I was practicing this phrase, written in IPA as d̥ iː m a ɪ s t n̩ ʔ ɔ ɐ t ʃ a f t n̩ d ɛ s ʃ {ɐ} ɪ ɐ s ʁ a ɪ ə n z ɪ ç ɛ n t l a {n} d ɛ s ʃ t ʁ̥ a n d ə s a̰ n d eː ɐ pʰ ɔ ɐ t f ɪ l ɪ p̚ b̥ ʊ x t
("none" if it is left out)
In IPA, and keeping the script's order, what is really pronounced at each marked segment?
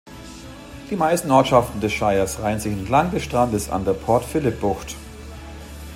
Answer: a, ŋ

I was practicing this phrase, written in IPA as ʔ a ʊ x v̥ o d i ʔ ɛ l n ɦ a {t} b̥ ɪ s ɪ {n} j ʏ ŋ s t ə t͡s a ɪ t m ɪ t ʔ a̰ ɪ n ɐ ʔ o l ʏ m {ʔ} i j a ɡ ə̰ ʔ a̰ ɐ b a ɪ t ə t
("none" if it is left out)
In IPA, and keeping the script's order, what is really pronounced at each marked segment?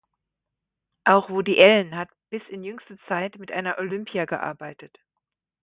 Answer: t, n, p

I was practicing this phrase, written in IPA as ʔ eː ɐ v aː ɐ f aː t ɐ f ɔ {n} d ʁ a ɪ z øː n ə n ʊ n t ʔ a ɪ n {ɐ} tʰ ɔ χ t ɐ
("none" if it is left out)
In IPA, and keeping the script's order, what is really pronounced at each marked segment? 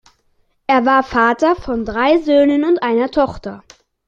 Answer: n, ɐ

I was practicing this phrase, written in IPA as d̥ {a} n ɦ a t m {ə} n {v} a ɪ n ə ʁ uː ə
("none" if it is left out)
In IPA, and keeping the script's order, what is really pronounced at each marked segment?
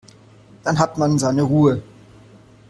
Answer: a, a, z

